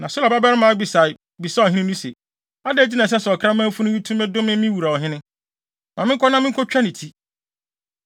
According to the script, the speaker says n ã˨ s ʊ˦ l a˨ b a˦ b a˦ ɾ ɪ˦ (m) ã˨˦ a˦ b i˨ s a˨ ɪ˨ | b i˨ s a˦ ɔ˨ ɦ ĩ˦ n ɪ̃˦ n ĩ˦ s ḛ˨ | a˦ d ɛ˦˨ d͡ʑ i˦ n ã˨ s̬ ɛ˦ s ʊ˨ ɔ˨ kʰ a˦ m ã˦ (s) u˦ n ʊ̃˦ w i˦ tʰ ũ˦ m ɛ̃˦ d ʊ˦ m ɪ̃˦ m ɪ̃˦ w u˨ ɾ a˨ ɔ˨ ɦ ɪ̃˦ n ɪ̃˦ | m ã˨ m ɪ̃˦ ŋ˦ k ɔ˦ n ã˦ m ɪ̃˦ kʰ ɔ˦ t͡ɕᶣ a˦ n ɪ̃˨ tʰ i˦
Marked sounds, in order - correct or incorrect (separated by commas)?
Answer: correct, incorrect